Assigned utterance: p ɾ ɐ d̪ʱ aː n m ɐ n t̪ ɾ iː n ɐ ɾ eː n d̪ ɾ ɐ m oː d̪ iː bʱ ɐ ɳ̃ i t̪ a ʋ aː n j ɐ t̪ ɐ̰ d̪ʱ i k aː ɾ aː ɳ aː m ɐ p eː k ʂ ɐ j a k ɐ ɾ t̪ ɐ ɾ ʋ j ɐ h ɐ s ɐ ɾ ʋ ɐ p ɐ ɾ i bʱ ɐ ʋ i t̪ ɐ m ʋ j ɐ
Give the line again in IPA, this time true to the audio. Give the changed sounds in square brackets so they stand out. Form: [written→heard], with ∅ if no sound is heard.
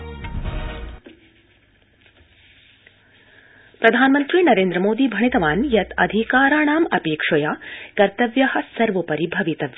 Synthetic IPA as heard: p ɾ ɐ d̪ʱ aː n m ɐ n t̪ ɾ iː n ɐ ɾ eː n d̪ ɾ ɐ m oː d̪ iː bʱ ɐ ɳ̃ i t̪ [a→ɐ] ʋ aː n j ɐ t̪ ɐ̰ d̪ʱ i k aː ɾ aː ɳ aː m ɐ p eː k ʂ ɐ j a k ɐ ɾ t̪ ɐ [ɾ→∅] ʋ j ɐ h ɐ s ɐ ɾ ʋ ɐ p ɐ ɾ i bʱ ɐ ʋ i t̪ ɐ [m→∅] ʋ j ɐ